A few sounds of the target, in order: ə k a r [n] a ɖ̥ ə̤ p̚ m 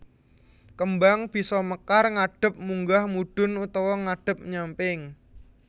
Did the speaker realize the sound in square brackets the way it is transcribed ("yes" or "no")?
no